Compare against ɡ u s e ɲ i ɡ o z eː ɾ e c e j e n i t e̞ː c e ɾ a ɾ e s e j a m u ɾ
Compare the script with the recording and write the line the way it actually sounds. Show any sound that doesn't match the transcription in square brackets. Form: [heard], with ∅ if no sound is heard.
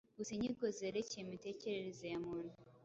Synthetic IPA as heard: ɡ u s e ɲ i ɡ o z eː ɾ e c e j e [m] i t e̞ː c e ɾ [e] ɾ e [z] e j a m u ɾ